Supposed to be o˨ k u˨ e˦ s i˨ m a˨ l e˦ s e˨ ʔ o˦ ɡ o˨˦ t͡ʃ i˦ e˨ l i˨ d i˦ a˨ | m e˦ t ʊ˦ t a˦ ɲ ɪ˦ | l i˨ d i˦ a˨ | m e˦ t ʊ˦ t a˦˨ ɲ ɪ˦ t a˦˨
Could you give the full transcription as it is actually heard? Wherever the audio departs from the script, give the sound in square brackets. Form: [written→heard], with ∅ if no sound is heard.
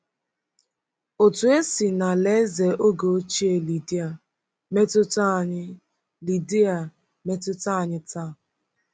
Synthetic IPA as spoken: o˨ [k→t] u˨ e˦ s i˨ [m→n] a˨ l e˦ [s→z] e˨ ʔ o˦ ɡ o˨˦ t͡ʃ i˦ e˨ l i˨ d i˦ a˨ | m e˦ t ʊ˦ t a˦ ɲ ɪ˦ | l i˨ d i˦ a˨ | m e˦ t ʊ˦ t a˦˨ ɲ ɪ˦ t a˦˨